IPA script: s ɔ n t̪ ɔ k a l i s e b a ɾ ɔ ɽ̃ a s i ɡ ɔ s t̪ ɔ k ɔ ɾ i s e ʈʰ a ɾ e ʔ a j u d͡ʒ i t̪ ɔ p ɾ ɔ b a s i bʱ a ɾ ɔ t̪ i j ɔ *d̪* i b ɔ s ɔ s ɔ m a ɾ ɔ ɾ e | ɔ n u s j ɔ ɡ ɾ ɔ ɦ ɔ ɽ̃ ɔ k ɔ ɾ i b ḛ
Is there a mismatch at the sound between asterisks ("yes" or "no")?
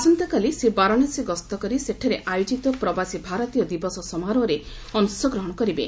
no